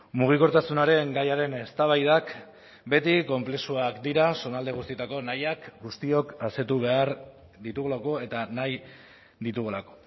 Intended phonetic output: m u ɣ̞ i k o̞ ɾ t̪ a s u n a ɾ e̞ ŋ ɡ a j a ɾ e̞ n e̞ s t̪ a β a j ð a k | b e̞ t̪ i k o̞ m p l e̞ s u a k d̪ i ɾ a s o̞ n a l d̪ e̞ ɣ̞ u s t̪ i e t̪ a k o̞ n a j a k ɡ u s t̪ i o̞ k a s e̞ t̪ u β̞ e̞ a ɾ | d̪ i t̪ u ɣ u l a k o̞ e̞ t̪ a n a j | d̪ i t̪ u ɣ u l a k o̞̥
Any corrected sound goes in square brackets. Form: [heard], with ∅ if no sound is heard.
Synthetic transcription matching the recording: m u ɣ̞ i k o̞ ɾ t̪ a s u n a ɾ e̞ ŋ ɡ a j a ɾ e̞ n e̞ s t̪ a β a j ð a k | b e̞ t̪ i k o̞ m p l e̞ s u a k d̪ i ɾ a s o̞ n a l d̪ e̞ ɣ̞ u s t̪ i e t̪ a k o̞ n a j a k ɡ u s t̪ i o̞ k a s e̞ t̪ u β̞ e̞ a ɾ | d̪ i t̪ u ɣ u l a k o̞ e̞ t̪ a n a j | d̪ i t̪ u ɣ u l a k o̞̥

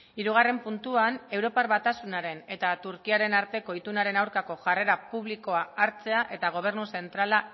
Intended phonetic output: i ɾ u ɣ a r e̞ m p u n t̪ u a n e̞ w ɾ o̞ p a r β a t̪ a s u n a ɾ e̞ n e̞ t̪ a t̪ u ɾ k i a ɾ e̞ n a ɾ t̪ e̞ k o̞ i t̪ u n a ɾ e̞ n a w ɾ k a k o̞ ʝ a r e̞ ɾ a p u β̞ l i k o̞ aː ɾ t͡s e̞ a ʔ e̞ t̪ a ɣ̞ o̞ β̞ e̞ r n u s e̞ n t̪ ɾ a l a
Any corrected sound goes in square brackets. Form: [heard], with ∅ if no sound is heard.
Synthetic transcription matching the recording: i ɾ u ɣ a r e̞ m p u n t̪ u a n e̞ w ɾ o̞ p a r β a t̪ a s u n a ɾ e̞ n e̞ t̪ a t̪ u ɾ k i a ɾ e̞ n a ɾ t̪ e̞ k o̞ i t̪ u n a ɾ e̞ n a w ɾ k a k o̞ ʝ a r e̞ ɾ a p u β̞ l i k o̞ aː ɾ t͡s e̞ a ʔ e̞ t̪ a ɣ̞ o̞ β̞ e̞ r n u s e̞ n t̪ ɾ a l a

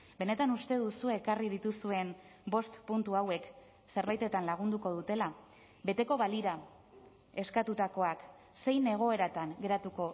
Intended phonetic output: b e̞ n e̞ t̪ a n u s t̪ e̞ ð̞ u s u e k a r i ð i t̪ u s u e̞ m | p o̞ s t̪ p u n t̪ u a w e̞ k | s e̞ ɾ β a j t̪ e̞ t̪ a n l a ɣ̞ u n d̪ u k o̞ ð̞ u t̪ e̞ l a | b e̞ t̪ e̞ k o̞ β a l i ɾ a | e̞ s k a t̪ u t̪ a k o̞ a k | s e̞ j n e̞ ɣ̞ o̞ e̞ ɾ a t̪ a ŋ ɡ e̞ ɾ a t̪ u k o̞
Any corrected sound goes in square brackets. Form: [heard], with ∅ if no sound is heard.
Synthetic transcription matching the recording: b e̞ n e̞ t̪ a n u s t̪ e̞ ð̞ u s u e k a r i ð i t̪ u s u e̞ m | [b] o̞ s t̪ p u n t̪ u a w e̞ k | s e̞ ɾ β a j t̪ e̞ t̪ a n l a ɣ̞ u n d̪ u k o̞ ð̞ u t̪ e̞ l a | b e̞ t̪ e̞ k o̞ β a l i ɾ a | e̞ s k a t̪ u t̪ a k o̞ a k | s e̞ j n e̞ ɣ̞ o̞ e̞ ɾ a t̪ a ŋ ɡ e̞ ɾ a t̪ u k o̞

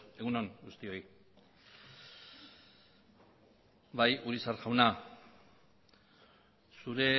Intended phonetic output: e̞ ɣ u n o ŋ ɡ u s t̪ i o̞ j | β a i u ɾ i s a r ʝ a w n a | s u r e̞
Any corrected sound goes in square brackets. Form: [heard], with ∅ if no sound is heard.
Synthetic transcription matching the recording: e̞ ɣ u n o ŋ ɡ u s t̪ i o̞ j | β a [j] u ɾ i s a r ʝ a w n a | s u [ɾ] e̞

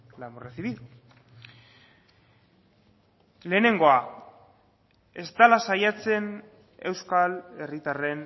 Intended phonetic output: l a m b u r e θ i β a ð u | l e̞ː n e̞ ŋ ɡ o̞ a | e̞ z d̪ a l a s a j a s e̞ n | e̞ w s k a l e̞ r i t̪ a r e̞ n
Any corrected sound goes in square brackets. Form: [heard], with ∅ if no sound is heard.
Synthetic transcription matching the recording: l a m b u r e θ i β [i] ð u | l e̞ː n e̞ ŋ ɡ o̞ a | e̞ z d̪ a l a s a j a [t͡s] e̞ n | e̞ w s k a l e̞ r i t̪ a r e̞ n

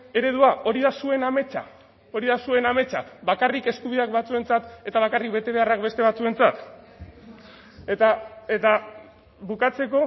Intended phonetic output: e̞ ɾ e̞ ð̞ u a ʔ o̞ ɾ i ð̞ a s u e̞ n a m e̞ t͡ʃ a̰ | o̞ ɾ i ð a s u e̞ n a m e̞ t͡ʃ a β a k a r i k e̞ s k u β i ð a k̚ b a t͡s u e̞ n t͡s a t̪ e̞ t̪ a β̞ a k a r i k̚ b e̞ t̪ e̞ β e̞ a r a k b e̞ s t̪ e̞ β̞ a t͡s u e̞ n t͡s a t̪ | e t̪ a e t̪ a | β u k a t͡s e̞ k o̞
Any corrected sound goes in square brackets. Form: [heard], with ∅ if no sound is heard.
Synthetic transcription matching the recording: e̞ ɾ e̞ ð̞ u a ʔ o̞ ɾ i ð̞ a s u e̞ n a m e̞ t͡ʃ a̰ | o̞ ɾ i ð a s u e̞ n a m e̞ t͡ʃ a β a k a r i k e̞ s k u β i ð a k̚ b a t͡s u e̞ n t͡s a t̪ e̞ t̪ a β̞ a k a r i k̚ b e̞ t̪ e̞ β e̞ a r a k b e̞ s t̪ e̞ β̞ a t͡s u e̞ n t͡s a t̪ | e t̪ a e t̪ a | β u k a t͡s e̞ k o̞

